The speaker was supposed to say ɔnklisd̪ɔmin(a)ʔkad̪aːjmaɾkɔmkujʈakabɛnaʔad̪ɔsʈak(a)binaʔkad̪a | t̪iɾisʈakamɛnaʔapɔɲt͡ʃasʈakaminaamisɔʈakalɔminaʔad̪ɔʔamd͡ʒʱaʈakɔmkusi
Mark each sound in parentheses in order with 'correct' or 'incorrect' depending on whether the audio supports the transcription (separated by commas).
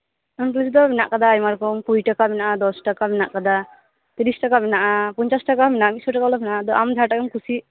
correct, correct